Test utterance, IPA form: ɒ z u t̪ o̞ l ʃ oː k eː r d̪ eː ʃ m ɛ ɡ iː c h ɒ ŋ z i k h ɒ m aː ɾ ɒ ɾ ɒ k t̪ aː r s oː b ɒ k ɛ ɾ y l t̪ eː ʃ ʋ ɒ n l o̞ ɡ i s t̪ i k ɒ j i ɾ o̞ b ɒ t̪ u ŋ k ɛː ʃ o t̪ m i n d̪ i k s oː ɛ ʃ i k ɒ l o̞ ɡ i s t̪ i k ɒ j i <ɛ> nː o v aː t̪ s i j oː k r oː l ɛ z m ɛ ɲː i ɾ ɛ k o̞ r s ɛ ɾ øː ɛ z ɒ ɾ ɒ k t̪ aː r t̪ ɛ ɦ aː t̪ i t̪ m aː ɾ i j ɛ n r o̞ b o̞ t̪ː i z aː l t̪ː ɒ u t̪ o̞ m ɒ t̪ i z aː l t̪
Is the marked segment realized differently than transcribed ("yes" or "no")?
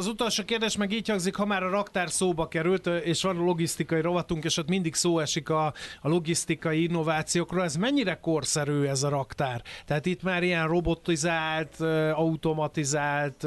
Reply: yes